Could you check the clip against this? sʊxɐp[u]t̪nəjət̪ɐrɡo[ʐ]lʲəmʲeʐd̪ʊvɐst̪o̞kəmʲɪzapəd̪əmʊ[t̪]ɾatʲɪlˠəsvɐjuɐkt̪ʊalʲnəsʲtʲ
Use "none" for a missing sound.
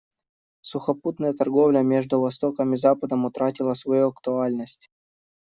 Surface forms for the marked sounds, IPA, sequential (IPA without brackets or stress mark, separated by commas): u, v, t̪